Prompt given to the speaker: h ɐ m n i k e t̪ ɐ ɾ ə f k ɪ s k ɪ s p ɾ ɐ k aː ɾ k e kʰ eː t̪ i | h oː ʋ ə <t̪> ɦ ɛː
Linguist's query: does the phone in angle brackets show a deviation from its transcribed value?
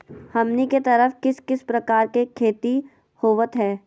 no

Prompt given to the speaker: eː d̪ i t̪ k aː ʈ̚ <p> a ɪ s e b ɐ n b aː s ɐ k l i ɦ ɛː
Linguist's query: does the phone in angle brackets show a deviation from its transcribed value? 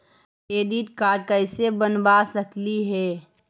yes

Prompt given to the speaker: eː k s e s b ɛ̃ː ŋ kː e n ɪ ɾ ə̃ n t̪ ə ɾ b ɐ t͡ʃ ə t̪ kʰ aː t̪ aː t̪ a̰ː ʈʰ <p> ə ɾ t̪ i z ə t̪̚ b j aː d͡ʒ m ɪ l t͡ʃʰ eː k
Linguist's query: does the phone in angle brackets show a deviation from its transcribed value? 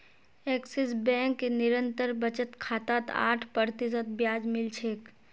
no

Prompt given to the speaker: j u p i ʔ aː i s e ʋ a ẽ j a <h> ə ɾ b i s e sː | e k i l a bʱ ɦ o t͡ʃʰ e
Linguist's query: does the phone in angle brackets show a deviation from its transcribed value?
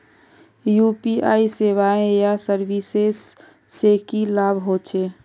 yes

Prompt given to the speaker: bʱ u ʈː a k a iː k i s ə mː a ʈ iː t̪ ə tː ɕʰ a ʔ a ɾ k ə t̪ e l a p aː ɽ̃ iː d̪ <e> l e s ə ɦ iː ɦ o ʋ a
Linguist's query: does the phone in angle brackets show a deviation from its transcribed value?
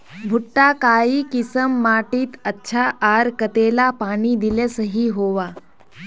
yes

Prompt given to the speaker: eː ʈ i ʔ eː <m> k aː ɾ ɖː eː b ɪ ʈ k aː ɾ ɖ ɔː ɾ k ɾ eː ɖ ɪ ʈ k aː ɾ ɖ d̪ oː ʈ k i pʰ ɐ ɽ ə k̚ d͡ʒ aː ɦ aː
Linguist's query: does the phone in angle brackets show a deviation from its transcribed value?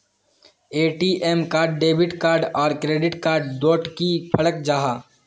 no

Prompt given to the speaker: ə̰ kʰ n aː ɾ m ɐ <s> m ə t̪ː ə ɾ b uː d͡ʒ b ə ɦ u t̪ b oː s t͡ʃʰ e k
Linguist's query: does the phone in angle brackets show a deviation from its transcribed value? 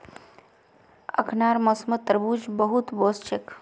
no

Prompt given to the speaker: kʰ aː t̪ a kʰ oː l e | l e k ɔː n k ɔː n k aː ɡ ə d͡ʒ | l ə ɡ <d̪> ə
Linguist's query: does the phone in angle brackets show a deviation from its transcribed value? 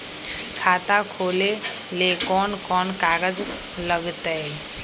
yes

